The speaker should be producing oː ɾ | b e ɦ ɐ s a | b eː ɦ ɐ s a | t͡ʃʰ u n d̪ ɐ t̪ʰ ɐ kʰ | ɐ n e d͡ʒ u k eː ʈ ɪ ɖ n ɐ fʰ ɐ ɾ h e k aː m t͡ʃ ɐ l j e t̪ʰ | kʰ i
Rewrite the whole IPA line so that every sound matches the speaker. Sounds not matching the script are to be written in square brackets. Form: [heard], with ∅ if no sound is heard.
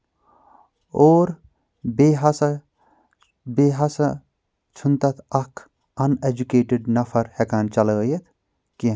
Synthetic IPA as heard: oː ɾ | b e ɦ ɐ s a | b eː ɦ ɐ s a | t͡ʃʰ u n [t̪] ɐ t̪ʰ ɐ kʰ | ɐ n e d͡ʒ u k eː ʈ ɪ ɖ n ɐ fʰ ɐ ɾ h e k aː [n] t͡ʃ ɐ l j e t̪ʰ | [k] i